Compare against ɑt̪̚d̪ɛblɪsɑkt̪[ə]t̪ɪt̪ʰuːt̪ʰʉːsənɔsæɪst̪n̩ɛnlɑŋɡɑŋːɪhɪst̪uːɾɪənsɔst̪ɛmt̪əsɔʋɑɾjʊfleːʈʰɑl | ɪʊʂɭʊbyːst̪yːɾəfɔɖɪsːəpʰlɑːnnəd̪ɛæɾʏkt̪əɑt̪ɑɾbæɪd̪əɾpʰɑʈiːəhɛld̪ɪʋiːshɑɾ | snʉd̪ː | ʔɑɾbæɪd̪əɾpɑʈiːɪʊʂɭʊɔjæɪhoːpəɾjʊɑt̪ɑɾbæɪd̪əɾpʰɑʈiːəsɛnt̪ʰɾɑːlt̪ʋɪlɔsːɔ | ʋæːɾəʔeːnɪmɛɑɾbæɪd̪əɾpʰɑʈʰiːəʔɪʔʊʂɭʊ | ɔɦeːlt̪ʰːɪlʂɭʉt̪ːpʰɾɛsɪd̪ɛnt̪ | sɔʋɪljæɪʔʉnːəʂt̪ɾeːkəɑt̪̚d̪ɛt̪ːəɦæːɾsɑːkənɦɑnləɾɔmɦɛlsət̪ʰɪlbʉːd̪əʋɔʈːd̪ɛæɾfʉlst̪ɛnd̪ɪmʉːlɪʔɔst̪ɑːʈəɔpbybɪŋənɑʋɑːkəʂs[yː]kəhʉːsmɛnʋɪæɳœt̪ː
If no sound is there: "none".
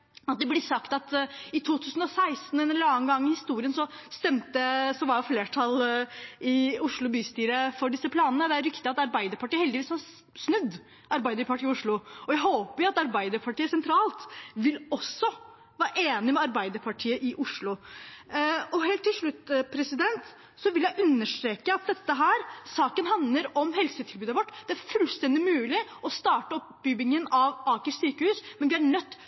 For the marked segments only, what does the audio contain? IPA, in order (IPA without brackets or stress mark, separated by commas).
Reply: ɑ, yː